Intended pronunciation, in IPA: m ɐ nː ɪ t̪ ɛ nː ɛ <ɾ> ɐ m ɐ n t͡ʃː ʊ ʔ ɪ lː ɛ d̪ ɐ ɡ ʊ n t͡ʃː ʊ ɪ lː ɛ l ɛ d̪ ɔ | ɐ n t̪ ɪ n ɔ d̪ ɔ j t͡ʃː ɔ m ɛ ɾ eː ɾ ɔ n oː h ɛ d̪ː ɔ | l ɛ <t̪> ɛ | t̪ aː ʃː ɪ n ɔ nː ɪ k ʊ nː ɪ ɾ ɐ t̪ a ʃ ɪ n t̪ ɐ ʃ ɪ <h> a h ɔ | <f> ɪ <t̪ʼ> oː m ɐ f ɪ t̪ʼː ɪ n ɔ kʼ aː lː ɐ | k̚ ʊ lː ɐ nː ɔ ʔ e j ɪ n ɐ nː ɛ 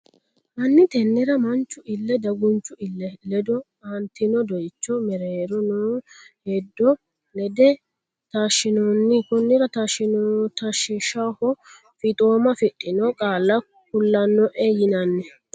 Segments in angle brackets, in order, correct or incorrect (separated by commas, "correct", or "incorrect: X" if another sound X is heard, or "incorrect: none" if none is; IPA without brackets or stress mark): correct, incorrect: d̪, incorrect: ʃ, correct, correct